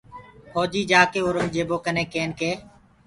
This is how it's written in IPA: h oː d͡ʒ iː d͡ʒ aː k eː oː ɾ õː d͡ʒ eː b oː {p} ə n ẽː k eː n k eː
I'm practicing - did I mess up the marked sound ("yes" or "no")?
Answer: yes